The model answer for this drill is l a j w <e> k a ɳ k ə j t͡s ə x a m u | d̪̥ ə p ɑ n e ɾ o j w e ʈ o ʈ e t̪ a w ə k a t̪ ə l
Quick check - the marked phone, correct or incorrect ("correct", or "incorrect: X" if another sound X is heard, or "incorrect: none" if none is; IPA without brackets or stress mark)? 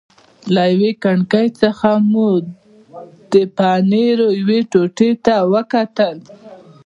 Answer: correct